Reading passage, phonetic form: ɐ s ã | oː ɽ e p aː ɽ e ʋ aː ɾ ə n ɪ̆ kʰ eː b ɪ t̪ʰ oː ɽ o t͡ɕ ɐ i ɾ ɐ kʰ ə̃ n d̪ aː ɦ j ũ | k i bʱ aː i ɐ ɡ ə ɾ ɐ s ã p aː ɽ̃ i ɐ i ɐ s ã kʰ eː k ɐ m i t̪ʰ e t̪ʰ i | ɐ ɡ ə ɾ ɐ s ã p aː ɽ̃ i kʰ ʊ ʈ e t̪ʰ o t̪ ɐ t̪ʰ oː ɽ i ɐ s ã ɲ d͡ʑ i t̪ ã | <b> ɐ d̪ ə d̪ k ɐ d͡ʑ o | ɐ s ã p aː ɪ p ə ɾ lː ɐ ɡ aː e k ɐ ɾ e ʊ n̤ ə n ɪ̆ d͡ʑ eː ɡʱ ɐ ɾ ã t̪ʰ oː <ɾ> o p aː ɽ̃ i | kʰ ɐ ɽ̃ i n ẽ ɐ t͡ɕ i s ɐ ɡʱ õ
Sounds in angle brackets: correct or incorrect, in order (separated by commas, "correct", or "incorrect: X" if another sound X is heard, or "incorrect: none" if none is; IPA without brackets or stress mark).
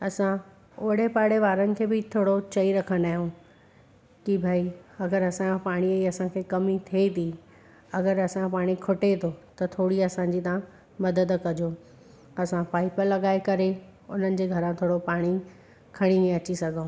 incorrect: m, incorrect: ɽ